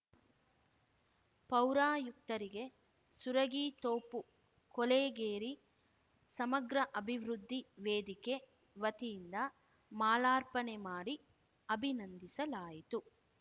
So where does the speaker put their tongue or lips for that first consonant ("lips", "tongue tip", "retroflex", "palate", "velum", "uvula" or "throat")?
lips